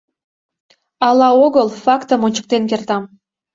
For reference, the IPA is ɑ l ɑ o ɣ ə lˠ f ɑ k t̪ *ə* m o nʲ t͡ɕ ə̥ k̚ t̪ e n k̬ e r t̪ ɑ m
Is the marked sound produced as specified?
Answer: yes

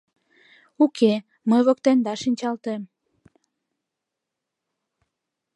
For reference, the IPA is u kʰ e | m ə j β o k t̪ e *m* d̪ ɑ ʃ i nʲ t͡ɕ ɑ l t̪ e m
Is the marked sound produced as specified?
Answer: no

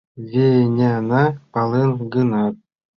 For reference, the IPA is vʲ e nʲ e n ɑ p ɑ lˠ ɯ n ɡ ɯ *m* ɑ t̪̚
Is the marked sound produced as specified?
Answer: no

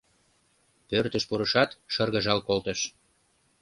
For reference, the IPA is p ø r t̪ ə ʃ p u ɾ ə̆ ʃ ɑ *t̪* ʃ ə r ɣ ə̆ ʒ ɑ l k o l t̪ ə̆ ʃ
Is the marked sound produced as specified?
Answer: yes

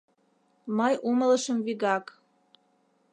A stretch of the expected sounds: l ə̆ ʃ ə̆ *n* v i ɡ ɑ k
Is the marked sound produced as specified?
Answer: no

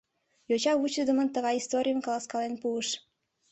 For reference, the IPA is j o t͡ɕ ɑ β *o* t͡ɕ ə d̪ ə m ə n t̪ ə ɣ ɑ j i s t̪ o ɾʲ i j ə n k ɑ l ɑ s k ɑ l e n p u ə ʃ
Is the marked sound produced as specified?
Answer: no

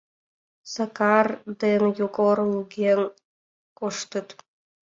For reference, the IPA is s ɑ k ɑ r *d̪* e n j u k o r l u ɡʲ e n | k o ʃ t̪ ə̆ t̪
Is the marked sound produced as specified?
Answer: yes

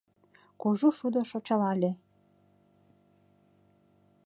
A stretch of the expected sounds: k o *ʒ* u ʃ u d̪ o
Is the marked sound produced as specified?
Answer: yes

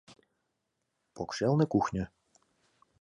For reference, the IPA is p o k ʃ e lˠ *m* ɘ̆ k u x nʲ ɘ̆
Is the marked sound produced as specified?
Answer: no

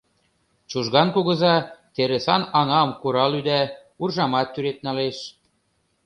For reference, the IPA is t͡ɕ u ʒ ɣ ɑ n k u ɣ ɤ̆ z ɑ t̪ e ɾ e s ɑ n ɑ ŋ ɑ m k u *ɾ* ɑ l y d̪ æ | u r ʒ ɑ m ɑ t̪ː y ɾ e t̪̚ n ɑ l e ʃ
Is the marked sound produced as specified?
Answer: yes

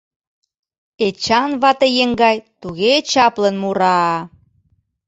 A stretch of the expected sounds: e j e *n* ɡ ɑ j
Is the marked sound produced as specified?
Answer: no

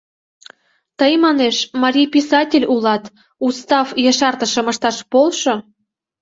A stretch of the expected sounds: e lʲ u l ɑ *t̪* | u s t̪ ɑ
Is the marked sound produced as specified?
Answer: yes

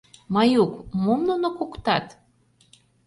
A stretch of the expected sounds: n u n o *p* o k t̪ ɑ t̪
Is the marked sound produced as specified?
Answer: no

